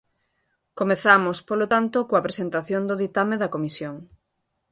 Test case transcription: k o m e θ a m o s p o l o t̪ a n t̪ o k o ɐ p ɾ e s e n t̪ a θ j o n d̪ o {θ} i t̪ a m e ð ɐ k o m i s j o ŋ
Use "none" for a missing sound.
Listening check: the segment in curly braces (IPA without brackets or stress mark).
ð